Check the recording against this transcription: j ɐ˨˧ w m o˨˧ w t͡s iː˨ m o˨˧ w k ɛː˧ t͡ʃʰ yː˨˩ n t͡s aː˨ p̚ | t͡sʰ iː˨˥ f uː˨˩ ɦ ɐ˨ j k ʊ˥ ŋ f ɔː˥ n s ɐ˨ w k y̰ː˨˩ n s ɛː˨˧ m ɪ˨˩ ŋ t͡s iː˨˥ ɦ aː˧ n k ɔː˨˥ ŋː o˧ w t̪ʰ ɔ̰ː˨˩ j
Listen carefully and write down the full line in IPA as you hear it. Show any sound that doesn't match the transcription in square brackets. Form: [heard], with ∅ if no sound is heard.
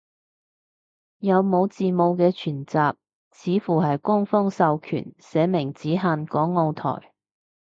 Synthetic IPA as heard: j ɐ˨˧ w m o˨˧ w t͡s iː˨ m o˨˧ w k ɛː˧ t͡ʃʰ yː˨˩ n t͡s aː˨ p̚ | t͡sʰ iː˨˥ f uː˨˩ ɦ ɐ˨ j k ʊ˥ ŋ f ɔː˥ [ŋ] s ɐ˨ w [kʰ] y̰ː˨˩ n s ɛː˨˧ m ɪ˨˩ ŋ t͡s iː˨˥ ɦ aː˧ n k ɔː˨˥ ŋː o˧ w t̪ʰ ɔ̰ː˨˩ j